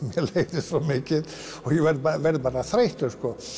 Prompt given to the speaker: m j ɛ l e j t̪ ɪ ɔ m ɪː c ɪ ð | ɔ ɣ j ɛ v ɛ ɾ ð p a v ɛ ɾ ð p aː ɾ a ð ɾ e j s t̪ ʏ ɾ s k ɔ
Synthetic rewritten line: m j ɛ l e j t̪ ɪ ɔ m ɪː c ɪ ð | ɔ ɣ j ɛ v ɛ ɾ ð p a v ɛ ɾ ð p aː ɾ a θ ɾ e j h t̪ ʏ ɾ s k ɔ